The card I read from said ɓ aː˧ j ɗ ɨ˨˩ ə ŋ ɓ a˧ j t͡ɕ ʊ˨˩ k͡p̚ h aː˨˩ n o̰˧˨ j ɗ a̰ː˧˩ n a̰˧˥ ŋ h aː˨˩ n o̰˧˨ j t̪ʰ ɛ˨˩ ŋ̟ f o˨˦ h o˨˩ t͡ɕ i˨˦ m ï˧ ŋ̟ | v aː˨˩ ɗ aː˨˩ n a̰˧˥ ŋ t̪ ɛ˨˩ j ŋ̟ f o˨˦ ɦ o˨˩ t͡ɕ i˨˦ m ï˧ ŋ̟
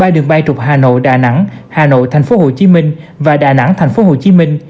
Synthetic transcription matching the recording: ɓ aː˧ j ɗ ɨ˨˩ ə ŋ ɓ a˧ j t͡ɕ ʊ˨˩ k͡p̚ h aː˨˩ n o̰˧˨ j ɗ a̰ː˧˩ n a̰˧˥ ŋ h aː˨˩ n o̰˧˨ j t̪ʰ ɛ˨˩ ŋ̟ f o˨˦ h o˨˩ t͡ɕ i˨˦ m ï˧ ŋ̟ | v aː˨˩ ɗ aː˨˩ n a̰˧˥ ŋ t̪ʰ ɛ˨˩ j ŋ̟ f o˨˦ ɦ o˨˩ t͡ɕ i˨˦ m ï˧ ŋ̟